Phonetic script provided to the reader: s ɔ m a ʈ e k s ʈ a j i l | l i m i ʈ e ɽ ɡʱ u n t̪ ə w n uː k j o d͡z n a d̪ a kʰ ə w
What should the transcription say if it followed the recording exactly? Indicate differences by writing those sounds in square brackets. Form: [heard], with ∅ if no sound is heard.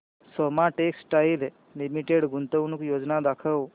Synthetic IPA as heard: s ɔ m a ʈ e k s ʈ a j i l | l i m i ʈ e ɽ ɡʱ u n t̪ ə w n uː k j o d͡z n a d̪ a kʰ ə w